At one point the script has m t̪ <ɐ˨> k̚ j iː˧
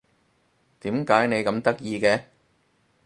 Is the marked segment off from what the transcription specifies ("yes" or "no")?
yes